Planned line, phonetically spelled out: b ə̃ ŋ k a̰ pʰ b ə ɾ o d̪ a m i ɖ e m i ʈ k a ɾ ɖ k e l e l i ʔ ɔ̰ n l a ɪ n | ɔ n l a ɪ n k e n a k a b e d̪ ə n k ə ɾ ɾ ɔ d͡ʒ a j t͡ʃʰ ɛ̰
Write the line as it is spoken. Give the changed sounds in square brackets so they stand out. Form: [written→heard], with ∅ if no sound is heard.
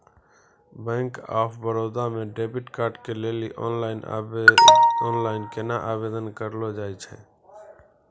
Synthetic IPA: b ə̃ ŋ k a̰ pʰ b ə ɾ o d̪ a m [i→e] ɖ e [m→b] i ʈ k a ɾ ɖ k e l e l i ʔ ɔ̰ n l a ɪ n | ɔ n l a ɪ n k e n a [k→ʔ] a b e d̪ ə n k ə ɾ [ɾ→l] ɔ d͡ʒ a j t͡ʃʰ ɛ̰

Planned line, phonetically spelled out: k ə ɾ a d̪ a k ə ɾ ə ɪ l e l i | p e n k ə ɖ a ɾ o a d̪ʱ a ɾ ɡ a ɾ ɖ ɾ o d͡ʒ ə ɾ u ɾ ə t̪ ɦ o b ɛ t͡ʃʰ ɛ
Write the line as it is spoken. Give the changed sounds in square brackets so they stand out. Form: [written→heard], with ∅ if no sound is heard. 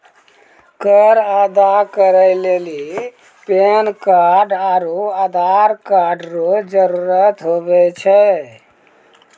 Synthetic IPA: k ə ɾ a d̪ a k ə ɾ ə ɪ l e l i | p e n k [ə→a] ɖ a ɾ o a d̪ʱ a ɾ [ɡ→k] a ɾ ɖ ɾ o d͡ʒ ə ɾ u ɾ ə t̪ ɦ o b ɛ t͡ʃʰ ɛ

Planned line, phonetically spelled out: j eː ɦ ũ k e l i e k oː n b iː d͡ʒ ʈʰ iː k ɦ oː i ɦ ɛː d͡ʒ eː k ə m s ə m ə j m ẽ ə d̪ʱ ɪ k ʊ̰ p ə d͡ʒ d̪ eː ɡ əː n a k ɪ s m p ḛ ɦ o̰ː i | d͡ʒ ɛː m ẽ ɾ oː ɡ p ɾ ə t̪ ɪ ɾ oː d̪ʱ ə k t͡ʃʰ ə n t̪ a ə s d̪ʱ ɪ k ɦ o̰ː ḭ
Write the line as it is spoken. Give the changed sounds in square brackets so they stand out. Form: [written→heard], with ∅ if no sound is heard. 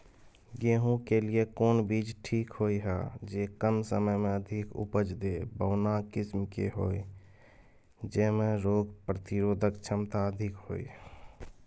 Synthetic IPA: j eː ɦ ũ k e l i e k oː n b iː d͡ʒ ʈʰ iː k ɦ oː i ɦ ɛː d͡ʒ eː k ə m s ə m ə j m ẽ ə d̪ʱ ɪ k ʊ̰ p ə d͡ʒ d̪ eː [ɡ→b] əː n a k ɪ s m [p→k] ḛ ɦ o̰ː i | d͡ʒ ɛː m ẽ ɾ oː ɡ p ɾ ə t̪ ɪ ɾ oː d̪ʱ ə k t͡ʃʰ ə [n→m] t̪ a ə [s→∅] d̪ʱ ɪ k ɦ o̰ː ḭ

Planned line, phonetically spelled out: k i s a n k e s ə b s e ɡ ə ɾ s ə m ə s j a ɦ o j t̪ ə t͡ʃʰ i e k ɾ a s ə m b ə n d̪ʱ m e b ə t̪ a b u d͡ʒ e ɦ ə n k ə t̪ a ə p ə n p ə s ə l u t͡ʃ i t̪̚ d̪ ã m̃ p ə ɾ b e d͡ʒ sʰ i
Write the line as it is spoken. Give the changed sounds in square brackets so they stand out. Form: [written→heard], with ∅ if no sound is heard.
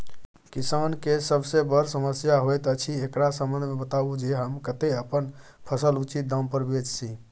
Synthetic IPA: k i s a n k e s ə b s e [ɡ→b] ə ɾ s ə m ə s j a ɦ o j t̪ ə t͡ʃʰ i e k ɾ a s ə m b ə n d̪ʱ m e b ə t̪ a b u d͡ʒ e ɦ ə [n→m] k ə t̪ [a→e] ə p ə n [p→pʰ] ə s ə l u t͡ʃ i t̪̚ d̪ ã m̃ p ə ɾ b e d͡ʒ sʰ i

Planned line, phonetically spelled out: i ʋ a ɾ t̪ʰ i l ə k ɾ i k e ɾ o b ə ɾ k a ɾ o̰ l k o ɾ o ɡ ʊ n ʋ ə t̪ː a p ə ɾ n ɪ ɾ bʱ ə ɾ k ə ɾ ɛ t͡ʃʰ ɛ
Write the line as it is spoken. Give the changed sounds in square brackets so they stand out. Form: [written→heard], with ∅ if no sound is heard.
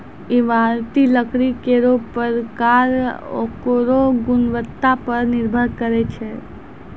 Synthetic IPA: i ʋ a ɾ [t̪ʰ→t̪] i l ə k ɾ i k e ɾ o [b→p] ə ɾ k a ɾ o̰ [l→∅] k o ɾ o ɡ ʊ n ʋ ə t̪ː a p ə ɾ n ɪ ɾ bʱ ə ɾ k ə ɾ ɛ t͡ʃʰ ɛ

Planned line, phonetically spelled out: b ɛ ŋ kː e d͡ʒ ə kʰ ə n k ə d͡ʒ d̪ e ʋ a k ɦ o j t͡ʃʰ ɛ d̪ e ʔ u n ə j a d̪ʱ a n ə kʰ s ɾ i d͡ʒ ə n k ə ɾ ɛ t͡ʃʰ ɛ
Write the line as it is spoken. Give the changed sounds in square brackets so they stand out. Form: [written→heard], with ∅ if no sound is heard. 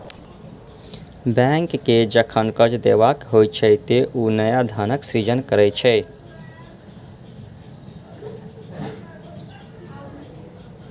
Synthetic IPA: b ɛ ŋ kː e d͡ʒ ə kʰ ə n k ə d͡ʒ d̪ e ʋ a k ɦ o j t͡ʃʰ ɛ [d̪→t̪] e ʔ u n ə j a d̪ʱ a n ə [kʰ→k] s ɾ i d͡ʒ ə n k ə ɾ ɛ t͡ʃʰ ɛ

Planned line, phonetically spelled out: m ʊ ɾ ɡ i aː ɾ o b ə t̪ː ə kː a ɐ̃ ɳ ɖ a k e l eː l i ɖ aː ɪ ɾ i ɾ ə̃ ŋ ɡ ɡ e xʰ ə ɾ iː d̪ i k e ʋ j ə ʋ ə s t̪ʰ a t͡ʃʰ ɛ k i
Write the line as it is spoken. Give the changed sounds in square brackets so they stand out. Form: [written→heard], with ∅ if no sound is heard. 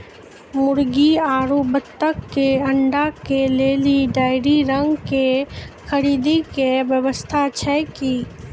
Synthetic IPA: m ʊ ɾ ɡ i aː ɾ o b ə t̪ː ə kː [a→e] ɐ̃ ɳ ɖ a k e l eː l i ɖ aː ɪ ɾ i ɾ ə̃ ŋ ɡ [ɡ→k] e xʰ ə ɾ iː d̪ i k e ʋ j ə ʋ ə s t̪ʰ a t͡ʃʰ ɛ k i

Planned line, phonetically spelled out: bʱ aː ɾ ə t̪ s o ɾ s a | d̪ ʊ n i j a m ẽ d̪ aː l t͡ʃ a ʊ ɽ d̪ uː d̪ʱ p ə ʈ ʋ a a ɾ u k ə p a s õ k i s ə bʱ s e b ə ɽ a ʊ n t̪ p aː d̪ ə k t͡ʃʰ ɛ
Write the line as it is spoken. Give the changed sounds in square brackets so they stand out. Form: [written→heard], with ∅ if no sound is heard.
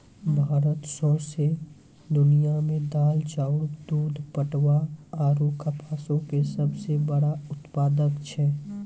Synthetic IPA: bʱ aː ɾ ə t̪ s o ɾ s [a→e] | d̪ ʊ n i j a m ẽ d̪ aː l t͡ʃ a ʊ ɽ d̪ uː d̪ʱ p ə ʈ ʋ a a ɾ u k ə p a s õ k [i→e] s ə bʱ s e b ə ɽ a ʊ [n→∅] t̪ p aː d̪ ə k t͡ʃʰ ɛ

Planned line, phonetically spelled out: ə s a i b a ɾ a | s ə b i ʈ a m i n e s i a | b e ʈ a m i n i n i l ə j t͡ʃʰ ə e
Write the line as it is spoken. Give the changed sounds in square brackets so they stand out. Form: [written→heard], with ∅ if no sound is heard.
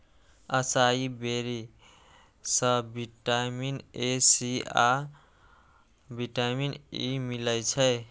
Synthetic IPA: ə s a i b [a→e] ɾ [a→i] | s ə b i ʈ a m i n e s i a | b [e→i] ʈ a m i n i [n→m] i l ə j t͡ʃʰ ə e

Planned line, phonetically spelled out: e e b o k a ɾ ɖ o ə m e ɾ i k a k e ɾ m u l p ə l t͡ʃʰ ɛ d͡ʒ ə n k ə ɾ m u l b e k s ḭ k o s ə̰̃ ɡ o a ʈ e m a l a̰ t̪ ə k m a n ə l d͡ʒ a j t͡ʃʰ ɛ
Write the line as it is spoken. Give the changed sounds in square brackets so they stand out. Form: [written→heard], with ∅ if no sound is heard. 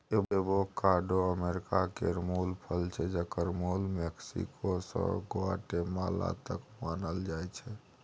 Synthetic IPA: e e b o k a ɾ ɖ o ə m e ɾ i k a k e ɾ m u l [p→pʰ] ə l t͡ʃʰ ɛ d͡ʒ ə [n→∅] k ə ɾ m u l [b→m] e k s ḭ k o s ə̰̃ ɡ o a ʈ e m a l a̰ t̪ ə k m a n ə l d͡ʒ a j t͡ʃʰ ɛ

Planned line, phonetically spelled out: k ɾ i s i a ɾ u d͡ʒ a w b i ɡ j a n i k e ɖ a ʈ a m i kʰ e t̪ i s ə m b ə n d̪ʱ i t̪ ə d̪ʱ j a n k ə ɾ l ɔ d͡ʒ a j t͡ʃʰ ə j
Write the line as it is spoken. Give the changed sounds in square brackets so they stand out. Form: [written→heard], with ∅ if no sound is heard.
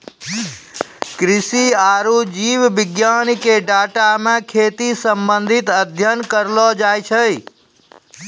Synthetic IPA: k ɾ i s i a ɾ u d͡ʒ [a→i] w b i ɡ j a n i k e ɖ a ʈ a m [i→e] kʰ e t̪ i s ə m b ə n d̪ʱ i t̪ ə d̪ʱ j [a→ə] n k ə ɾ l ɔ d͡ʒ a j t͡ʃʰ ə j

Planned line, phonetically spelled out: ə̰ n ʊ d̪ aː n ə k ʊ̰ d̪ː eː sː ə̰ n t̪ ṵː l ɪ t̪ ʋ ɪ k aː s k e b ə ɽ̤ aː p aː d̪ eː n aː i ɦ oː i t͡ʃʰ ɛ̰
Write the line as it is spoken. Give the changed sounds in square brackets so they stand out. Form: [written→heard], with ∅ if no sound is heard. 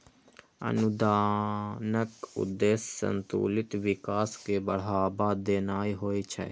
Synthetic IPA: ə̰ n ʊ d̪ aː n ə k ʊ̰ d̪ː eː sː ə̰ n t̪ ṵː l ɪ t̪ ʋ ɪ k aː s k e b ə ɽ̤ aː [p→b] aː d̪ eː n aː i ɦ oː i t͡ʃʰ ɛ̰

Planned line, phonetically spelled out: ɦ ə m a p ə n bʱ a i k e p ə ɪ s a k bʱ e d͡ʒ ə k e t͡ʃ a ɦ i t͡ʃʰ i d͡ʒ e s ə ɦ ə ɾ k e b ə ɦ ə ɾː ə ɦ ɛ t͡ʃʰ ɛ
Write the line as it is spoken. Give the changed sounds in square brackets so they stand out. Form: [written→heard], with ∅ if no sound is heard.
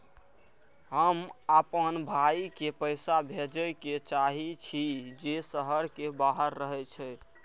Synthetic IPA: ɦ ə m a p ə n bʱ a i k e p ə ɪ s a [k→∅] bʱ e d͡ʒ ə k e t͡ʃ a ɦ i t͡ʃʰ i d͡ʒ e s ə ɦ ə ɾ k e b [ə→a] ɦ ə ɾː ə ɦ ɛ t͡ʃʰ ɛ

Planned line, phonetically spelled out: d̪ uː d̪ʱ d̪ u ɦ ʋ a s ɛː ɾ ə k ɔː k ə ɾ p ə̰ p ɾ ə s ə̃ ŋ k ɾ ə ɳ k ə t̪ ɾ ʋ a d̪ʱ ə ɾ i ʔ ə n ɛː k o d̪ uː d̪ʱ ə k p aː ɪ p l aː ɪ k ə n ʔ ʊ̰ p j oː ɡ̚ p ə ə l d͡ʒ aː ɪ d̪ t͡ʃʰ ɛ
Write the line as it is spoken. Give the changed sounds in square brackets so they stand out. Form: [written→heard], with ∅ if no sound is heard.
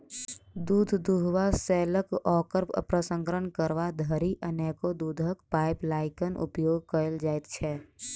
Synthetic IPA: d̪ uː d̪ʱ d̪ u ɦ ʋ a s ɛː [ɾ→l] ə k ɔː k ə ɾ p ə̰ p ɾ ə s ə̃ ŋ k ɾ ə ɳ k ə [t̪→∅] ɾ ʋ a d̪ʱ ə ɾ i ʔ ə n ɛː k o d̪ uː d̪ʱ ə k p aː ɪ p l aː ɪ k ə n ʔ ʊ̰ p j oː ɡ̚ [p→k] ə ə l d͡ʒ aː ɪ [d̪→t̪] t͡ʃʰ ɛ

